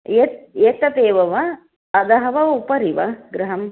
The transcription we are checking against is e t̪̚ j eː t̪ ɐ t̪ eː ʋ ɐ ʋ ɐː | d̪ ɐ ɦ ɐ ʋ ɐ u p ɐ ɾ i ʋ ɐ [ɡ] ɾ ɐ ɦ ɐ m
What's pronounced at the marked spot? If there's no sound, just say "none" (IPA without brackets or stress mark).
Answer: ɡ